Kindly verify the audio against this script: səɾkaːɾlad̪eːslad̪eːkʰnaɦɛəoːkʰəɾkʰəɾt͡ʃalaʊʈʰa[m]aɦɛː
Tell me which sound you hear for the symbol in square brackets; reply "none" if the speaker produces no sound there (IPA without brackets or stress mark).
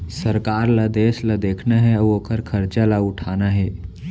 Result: n